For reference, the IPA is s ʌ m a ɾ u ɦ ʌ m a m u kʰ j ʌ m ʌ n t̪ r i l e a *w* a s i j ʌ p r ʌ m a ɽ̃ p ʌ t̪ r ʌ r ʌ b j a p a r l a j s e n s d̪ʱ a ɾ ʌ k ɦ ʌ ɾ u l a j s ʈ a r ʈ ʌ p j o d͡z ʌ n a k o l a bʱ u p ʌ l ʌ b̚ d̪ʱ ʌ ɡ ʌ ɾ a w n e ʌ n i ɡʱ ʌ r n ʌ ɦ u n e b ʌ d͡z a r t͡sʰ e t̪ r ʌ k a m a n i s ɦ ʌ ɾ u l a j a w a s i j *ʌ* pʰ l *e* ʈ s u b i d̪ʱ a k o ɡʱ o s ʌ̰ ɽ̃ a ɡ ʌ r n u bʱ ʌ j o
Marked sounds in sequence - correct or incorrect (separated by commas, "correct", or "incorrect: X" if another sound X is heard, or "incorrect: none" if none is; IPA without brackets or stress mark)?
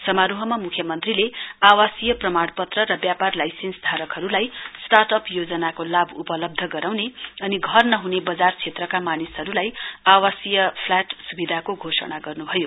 correct, correct, incorrect: a